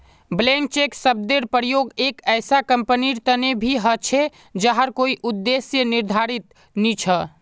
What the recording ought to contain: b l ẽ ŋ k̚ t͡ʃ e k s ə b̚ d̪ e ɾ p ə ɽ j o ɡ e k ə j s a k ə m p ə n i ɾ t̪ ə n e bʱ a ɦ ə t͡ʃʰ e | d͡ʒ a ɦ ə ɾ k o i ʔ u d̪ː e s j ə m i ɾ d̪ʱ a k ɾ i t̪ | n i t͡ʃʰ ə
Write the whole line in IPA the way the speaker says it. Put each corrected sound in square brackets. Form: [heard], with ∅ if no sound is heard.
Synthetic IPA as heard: b l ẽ ŋ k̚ t͡ʃ e k s ə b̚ d̪ e ɾ p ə [ɾ] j o ɡ e k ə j s a k ə m p ə n i ɾ t̪ ə n e bʱ [i] ɦ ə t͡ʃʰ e | d͡ʒ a ɦ ə ɾ k o i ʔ u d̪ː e s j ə [n] i ɾ d̪ʱ a [∅] ɾ i t̪ | n i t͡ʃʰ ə